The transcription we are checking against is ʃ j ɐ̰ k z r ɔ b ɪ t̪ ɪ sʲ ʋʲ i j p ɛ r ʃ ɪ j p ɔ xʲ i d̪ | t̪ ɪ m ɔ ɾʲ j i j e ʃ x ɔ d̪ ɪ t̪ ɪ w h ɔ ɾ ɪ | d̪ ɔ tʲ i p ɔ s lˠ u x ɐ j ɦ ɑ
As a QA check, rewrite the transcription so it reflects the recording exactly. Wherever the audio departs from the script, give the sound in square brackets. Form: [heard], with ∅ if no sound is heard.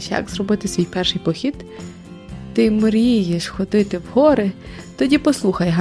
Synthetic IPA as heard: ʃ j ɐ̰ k z r ɔ b ɪ t̪ ɪ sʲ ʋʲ i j p ɛ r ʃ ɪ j p ɔ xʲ i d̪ | t̪ ɪ m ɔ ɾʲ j i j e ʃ x ɔ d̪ ɪ t̪ ɪ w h ɔ ɾ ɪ | [t̪] ɔ [dʲ] i p ɔ s lˠ u x ɐ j ɦ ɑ